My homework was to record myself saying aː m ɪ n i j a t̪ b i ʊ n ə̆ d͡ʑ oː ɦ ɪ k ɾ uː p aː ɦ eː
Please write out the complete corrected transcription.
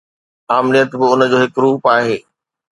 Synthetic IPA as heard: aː m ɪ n i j ə t̪ b ɪ ʊ n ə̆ d͡ʑ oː ɦ ɪ k ɾ uː p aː ɦ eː